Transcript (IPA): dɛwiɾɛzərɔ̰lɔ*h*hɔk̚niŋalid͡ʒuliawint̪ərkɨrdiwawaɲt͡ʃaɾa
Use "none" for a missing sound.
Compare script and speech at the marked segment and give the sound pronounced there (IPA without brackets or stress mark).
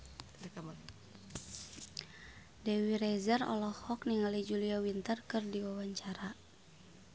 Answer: h